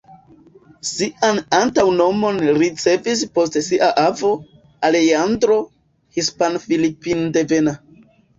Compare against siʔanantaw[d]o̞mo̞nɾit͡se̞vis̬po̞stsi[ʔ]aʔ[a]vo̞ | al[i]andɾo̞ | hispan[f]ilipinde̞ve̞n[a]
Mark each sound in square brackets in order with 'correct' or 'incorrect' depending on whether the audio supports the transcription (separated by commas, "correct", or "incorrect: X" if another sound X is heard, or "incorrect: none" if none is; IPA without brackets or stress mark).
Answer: incorrect: n, correct, correct, incorrect: e, correct, correct